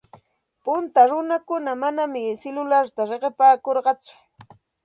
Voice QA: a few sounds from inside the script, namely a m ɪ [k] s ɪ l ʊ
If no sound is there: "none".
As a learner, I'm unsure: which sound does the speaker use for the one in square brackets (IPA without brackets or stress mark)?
none